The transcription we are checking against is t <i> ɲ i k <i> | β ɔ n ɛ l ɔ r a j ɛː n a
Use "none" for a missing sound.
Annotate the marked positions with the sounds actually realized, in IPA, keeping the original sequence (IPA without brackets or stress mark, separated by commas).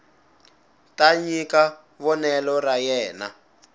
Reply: a, a